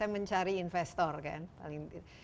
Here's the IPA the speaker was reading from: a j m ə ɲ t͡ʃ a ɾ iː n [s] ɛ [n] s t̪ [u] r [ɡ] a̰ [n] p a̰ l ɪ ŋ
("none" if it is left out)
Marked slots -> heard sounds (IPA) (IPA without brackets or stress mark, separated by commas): f, none, ɔ, k, n